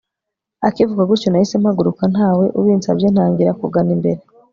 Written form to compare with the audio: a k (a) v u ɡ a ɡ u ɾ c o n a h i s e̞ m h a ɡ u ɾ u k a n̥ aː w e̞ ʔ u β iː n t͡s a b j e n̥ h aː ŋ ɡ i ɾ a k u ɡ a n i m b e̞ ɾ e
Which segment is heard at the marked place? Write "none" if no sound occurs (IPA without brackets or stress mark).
i